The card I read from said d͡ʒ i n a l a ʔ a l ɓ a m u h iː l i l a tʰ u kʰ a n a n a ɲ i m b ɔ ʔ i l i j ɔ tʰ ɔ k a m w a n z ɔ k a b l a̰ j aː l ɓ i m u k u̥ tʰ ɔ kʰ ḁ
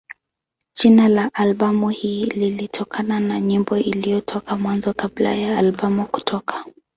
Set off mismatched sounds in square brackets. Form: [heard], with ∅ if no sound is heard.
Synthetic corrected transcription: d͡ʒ i n a l a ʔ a l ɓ a m u h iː l i l [i] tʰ [ɔ] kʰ a n a n a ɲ i m b ɔ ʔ i l i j ɔ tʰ ɔ k a m w a n z ɔ k a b l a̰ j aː l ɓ [a] m u k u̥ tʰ ɔ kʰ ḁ